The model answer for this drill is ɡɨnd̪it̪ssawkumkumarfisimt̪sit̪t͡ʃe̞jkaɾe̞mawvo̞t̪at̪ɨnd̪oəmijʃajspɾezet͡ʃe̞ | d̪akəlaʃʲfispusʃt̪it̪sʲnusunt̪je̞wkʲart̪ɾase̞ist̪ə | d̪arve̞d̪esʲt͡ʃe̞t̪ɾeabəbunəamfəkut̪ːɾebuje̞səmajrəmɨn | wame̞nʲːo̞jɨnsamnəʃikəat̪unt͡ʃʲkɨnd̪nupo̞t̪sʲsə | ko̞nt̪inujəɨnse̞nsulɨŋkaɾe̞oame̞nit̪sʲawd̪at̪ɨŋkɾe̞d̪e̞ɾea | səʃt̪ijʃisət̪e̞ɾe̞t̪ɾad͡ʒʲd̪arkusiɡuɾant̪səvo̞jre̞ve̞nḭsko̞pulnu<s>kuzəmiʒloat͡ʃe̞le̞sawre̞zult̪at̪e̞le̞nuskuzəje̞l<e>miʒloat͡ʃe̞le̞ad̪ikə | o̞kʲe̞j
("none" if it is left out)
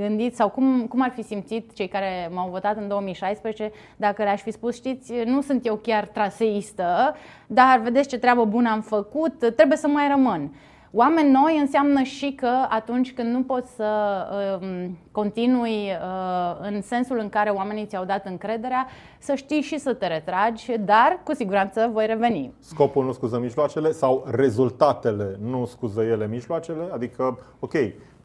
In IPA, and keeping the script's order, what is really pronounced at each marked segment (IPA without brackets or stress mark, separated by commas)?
s, e